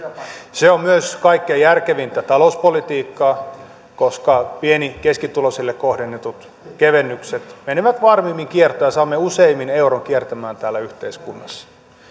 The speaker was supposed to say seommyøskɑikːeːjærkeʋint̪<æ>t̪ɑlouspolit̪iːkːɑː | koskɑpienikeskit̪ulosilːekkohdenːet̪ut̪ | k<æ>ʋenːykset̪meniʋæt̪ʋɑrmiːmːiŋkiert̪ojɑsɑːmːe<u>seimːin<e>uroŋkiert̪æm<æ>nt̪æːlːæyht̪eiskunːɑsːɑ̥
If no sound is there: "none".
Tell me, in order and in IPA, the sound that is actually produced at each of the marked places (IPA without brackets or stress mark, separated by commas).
æ, e, u, e, æː